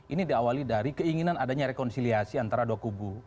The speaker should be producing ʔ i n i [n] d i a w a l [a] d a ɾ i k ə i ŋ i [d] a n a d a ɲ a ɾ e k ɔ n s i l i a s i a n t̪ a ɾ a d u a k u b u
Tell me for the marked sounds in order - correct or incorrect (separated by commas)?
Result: incorrect, incorrect, incorrect